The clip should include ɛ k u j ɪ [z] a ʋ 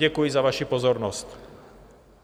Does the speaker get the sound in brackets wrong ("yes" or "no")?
no